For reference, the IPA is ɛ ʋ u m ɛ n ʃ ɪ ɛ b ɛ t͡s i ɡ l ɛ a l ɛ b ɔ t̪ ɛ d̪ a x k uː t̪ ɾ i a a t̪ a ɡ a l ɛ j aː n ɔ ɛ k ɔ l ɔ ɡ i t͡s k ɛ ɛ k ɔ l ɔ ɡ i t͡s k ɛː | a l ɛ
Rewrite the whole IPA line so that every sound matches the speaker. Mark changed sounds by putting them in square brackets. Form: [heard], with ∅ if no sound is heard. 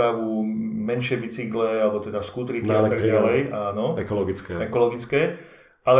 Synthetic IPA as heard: [a] ʋ u m ɛ n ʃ ɪ ɛ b [i] t͡s i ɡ l ɛ a l ɛ b ɔ t̪ ɛ d̪ a [s] k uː t̪ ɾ i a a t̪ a ɡ a l ɛ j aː n ɔ ɛ k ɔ l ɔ ɡ i t͡s k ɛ ɛ k ɔ l ɔ ɡ i t͡s k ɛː | a l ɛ